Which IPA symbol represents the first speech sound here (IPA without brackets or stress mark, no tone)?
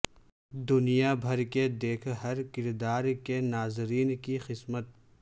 d̪